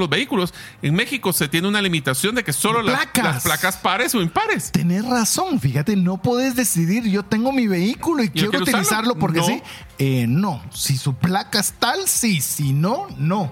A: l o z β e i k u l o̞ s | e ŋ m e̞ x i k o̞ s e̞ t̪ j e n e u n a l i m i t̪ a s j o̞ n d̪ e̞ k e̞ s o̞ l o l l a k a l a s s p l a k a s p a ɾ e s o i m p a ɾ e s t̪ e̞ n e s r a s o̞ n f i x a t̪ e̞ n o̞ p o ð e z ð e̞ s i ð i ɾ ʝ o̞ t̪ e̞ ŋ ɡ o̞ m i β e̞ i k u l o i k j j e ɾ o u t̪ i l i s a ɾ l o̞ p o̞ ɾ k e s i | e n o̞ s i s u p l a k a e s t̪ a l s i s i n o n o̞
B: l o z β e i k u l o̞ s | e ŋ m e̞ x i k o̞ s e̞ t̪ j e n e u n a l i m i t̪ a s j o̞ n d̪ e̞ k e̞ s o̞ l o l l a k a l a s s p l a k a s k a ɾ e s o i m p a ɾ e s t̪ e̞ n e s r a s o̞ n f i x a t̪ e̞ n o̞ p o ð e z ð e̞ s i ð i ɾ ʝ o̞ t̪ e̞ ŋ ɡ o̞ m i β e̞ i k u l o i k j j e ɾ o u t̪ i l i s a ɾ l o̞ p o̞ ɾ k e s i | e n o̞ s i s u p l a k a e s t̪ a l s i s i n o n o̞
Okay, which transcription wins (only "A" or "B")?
A